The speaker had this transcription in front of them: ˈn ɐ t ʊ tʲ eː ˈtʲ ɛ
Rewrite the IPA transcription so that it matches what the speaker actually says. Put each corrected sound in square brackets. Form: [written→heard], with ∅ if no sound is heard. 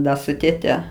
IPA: [ˈn→ˈd] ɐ [t→s] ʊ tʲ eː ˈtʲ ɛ